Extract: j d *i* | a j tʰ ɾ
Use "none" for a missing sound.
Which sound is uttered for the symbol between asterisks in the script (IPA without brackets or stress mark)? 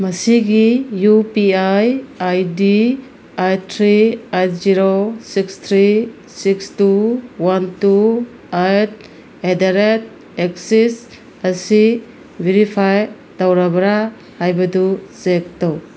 i